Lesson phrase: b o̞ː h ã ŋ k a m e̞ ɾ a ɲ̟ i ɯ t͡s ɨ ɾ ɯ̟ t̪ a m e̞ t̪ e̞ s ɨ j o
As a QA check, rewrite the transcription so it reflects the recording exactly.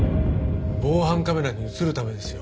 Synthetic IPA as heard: b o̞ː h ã ŋ k a m e̞ ɾ a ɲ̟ i ɯ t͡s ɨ ɾ ɯ̟ t̪ a m e̞ d̪ e̞ s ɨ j o